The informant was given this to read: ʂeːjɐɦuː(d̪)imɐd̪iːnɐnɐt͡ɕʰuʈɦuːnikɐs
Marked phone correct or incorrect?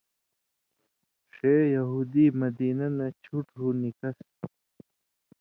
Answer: correct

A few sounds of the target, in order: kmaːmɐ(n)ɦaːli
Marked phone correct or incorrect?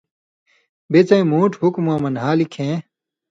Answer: correct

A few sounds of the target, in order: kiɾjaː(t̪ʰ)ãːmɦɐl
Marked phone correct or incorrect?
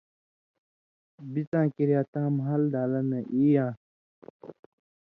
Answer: incorrect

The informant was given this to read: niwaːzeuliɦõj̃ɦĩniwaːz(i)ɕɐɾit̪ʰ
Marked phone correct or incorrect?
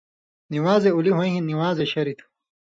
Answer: incorrect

